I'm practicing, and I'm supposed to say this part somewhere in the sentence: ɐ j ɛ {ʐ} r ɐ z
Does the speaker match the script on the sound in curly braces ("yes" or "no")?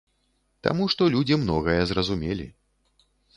no